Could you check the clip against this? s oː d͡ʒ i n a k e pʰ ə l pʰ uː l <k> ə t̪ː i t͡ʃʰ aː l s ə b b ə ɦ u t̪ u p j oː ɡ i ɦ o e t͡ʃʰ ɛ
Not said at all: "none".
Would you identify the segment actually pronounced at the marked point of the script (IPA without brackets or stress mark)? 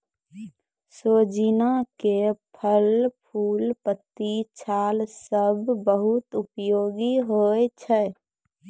p